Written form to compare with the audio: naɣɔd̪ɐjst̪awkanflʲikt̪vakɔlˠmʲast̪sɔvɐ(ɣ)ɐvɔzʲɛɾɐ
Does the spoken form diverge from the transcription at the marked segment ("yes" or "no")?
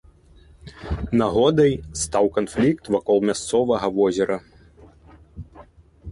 no